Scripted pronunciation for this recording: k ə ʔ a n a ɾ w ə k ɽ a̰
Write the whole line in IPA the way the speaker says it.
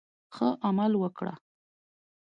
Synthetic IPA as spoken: x ə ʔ a m a l w ə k ɽ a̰